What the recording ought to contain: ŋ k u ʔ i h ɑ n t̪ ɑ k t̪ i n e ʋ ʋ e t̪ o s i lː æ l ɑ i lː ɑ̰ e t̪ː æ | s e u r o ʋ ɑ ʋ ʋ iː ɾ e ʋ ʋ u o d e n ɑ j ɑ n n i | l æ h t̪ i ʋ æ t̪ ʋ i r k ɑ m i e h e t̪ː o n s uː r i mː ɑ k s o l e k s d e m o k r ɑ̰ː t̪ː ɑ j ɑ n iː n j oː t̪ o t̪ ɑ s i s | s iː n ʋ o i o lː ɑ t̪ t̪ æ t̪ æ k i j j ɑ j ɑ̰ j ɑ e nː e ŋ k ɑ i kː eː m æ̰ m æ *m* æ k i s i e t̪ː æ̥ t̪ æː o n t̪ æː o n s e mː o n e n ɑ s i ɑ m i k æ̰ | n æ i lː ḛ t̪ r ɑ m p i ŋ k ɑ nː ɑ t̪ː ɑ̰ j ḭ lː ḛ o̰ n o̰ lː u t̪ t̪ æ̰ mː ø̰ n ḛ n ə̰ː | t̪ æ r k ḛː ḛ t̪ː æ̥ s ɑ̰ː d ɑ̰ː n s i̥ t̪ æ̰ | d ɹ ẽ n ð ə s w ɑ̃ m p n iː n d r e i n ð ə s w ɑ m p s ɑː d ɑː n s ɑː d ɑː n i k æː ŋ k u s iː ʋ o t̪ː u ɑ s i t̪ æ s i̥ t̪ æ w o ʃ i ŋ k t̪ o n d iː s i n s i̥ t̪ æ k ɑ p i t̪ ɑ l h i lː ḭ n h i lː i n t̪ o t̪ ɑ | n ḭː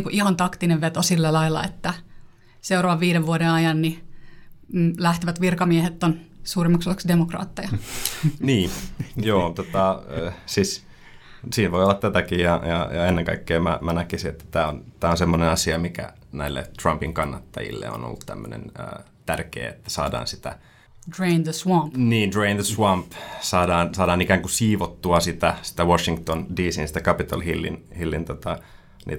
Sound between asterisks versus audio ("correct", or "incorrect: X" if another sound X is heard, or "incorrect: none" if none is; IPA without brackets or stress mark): incorrect: n